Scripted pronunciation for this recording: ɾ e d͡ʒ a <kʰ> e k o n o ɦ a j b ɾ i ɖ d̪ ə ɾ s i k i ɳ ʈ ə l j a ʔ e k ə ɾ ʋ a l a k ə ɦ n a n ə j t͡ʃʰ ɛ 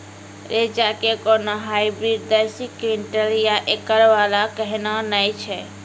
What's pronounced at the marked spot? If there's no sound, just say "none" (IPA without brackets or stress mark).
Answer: k